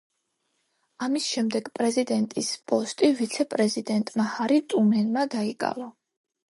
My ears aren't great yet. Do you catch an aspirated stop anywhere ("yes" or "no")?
no